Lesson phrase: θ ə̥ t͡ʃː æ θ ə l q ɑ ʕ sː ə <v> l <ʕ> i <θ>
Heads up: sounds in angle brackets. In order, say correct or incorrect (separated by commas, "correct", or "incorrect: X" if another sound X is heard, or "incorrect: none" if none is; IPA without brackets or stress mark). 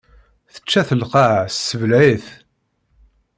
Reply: correct, correct, correct